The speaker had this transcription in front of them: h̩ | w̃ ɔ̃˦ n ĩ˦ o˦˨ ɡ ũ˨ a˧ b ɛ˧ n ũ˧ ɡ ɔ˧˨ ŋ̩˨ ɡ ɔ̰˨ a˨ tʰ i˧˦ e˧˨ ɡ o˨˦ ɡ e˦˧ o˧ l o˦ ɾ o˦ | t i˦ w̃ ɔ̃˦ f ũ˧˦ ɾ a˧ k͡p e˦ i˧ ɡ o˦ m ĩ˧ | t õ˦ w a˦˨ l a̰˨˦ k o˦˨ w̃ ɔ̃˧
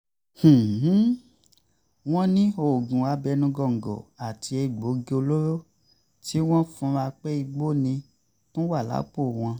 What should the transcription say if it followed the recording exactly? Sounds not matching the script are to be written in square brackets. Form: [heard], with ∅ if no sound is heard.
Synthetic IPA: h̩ | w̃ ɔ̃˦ n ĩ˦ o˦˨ ɡ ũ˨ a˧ b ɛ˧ n ũ˧ ɡ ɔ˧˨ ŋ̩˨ ɡ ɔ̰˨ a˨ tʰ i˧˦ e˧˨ [ɡ͡b] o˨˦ ɡ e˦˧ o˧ l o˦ ɾ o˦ | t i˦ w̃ ɔ̃˦ f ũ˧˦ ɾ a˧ k͡p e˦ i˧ [ɡ͡b] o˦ [n] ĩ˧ | t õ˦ w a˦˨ l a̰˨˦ [k͡p] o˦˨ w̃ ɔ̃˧

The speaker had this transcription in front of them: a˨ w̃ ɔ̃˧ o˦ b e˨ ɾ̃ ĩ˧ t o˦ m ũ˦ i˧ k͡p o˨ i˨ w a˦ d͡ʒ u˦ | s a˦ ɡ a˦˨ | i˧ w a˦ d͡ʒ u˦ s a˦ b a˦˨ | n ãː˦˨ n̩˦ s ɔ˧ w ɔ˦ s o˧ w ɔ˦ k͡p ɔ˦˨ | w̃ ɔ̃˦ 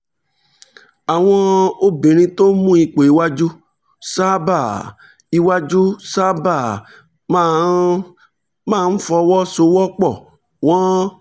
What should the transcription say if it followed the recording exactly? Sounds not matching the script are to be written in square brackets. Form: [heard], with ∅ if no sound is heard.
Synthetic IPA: a˨ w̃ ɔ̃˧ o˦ b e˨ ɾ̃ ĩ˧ t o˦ m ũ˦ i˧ k͡p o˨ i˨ w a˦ d͡ʒ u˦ | s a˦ [b] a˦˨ | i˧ w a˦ d͡ʒ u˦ s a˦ b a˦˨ | [m] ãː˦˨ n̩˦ [f] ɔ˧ w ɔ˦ s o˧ w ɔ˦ k͡p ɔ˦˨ | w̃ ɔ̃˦

